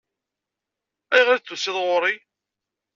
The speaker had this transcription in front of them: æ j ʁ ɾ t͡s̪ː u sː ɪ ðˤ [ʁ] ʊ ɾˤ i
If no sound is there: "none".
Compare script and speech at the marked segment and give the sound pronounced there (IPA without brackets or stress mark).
ʁ